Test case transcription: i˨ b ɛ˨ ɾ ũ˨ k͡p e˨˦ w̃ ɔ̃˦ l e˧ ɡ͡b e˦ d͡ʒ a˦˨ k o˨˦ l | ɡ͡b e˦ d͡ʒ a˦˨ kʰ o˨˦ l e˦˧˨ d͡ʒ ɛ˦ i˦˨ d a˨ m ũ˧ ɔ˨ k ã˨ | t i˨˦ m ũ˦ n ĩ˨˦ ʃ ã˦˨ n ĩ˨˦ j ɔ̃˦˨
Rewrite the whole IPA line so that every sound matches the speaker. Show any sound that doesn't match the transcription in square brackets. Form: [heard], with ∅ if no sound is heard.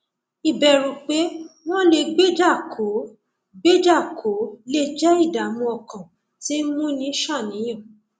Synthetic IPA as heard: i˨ b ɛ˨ ɾ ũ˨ k͡p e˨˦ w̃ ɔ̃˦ l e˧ ɡ͡b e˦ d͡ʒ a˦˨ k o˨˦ [∅] | ɡ͡b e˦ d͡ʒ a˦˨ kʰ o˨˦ l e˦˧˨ d͡ʒ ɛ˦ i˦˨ d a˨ m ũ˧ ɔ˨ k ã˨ | t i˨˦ m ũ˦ n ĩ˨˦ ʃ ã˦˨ n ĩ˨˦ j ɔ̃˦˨